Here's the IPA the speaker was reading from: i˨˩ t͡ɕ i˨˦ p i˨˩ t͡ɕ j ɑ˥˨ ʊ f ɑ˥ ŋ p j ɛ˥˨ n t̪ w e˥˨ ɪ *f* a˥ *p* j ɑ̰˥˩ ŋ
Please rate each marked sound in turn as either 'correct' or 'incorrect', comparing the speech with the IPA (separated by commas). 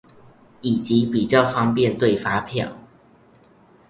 correct, incorrect